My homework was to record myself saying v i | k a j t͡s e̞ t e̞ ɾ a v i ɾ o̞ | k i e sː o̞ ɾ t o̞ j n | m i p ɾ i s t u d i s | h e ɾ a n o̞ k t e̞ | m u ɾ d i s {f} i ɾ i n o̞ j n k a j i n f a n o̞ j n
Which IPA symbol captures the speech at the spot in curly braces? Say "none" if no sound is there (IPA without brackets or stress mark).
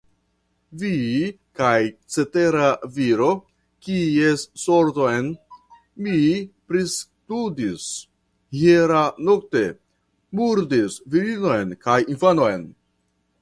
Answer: v